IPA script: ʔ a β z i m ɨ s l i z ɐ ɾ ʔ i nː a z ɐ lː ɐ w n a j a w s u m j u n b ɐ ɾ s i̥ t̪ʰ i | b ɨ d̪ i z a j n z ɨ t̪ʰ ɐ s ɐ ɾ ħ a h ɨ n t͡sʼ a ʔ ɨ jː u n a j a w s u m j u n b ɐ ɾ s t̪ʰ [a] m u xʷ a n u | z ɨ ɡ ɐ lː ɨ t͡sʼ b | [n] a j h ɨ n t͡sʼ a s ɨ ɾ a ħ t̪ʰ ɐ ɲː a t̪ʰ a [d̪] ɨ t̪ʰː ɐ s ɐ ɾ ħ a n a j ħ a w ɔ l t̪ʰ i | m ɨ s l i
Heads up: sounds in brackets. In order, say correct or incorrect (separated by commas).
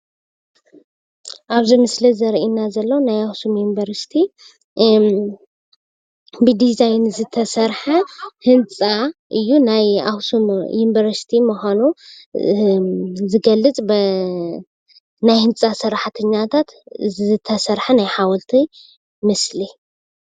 incorrect, correct, incorrect